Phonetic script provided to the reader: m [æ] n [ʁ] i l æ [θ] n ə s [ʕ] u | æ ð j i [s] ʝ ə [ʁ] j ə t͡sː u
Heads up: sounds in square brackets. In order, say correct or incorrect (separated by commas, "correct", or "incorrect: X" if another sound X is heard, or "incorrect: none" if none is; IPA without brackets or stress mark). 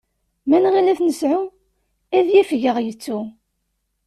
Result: correct, correct, correct, correct, incorrect: f, correct